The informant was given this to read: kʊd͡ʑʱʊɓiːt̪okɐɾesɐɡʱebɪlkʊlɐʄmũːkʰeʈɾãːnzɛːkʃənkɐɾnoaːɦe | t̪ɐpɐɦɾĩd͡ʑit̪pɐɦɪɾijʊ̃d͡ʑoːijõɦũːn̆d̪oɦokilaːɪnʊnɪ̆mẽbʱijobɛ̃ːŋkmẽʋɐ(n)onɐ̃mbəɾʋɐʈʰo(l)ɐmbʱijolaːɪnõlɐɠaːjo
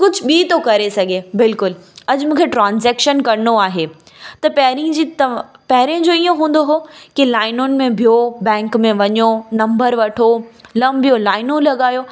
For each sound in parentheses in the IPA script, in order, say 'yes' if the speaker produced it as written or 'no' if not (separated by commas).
no, yes